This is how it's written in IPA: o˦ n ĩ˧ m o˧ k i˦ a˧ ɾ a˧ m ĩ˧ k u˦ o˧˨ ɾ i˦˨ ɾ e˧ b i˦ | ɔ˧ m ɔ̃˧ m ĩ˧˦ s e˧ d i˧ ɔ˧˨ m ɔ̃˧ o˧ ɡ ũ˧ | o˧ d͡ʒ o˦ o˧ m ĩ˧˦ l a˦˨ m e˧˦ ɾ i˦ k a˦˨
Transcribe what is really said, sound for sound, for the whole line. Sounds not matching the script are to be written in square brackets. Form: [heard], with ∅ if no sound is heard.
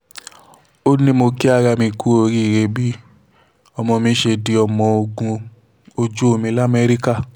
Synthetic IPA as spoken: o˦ n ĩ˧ m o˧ k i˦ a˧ ɾ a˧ m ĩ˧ k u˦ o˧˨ ɾ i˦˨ ɾ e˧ b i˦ | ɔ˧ m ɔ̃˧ m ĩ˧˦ [ʃ] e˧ d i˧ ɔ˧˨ m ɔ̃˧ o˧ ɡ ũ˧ | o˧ d͡ʒ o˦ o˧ m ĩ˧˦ l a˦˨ m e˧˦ ɾ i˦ k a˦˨